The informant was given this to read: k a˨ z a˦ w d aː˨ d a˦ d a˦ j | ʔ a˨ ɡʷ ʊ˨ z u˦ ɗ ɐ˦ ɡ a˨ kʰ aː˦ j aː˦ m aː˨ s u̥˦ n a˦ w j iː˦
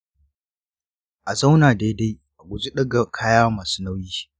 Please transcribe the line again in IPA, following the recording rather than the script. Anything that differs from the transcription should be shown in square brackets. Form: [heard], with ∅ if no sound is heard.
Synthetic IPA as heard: [ʔ] a˨ z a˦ w [n] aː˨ d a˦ d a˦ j | ʔ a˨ ɡʷ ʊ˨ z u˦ ɗ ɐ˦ ɡ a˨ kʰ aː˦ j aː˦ m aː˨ s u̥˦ n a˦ w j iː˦